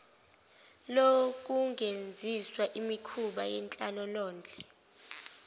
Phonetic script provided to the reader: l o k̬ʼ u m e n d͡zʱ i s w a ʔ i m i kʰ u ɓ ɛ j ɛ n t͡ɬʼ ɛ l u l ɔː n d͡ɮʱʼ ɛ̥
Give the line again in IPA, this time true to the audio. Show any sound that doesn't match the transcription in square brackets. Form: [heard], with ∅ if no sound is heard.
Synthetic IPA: l o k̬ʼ u [ŋ] e n d͡zʱ i s w a ʔ i m i kʰ u ɓ [a] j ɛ n t͡ɬʼ [a] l [ɔ] l ɔː n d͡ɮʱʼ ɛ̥